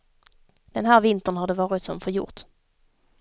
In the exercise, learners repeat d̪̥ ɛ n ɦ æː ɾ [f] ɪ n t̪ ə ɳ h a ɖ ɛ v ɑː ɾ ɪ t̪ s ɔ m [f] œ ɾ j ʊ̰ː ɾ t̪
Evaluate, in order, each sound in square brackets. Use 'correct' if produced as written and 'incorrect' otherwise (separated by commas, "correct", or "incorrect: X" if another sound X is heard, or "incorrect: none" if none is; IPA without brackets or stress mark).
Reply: incorrect: v, correct